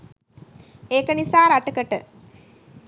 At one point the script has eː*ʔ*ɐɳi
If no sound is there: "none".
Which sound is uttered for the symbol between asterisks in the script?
k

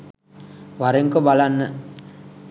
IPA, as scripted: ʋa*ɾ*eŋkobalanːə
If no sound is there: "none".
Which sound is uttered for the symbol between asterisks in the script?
ɾ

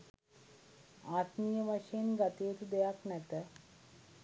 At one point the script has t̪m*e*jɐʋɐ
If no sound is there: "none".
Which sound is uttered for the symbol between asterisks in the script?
i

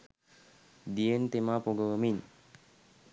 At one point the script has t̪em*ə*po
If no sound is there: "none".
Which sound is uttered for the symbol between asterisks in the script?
a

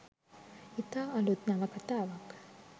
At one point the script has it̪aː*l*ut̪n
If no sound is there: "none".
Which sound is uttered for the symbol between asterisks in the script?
l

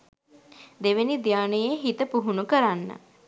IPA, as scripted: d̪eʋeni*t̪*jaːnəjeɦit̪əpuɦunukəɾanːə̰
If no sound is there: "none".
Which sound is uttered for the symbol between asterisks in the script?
d̪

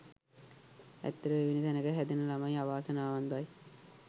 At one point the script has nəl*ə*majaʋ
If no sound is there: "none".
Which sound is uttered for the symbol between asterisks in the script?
a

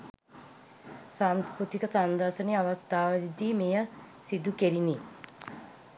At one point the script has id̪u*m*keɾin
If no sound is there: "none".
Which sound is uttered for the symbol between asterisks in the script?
none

